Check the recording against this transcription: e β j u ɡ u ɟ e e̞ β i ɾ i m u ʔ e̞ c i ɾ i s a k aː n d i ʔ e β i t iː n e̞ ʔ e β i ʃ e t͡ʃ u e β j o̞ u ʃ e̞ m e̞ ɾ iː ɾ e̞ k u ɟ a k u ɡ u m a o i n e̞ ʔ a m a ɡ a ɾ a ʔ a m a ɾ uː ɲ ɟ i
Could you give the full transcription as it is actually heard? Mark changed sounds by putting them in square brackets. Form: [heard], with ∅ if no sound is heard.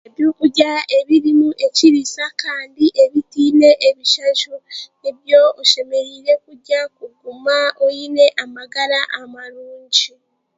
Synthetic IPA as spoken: e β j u [k] u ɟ [a] e̞ β i ɾ i m u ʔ e̞ c i ɾ i s a k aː n d i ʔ e β i t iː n e̞ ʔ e β i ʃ [a] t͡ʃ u e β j o̞ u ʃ e̞ m e̞ ɾ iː ɾ e̞ k u ɟ a k u ɡ u m a o i n e̞ ʔ a m a ɡ a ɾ a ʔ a m a ɾ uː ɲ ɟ i